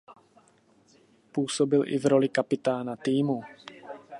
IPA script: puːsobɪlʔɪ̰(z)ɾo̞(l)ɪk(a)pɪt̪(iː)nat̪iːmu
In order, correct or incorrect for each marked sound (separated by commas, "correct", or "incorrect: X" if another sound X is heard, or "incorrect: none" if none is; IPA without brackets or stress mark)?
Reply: incorrect: v, correct, correct, incorrect: aː